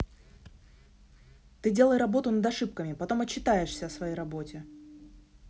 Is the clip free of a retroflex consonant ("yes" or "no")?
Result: no